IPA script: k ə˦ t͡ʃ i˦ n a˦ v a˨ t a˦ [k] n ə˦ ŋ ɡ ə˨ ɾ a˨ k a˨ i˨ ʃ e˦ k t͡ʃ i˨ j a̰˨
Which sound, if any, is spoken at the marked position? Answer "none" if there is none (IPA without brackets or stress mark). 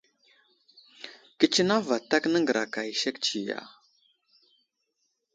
k